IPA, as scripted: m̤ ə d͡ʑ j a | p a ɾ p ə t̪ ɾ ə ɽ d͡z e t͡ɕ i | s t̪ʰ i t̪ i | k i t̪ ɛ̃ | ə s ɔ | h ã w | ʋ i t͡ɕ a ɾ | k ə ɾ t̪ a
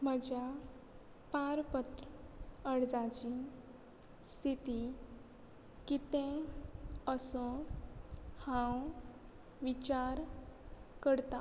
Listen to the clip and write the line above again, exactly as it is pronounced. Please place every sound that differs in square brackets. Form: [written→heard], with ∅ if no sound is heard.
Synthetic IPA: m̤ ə d͡ʑ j a | p a ɾ p ə t̪ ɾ ə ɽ d͡z [e→a] t͡ɕ i | s t̪ʰ i t̪ i | k i t̪ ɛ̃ | ə s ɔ | h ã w | ʋ i t͡ɕ a ɾ | k ə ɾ t̪ a